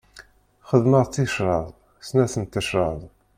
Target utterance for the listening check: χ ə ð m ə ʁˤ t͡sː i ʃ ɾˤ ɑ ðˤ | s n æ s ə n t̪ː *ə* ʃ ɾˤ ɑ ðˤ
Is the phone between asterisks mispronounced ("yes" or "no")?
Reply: no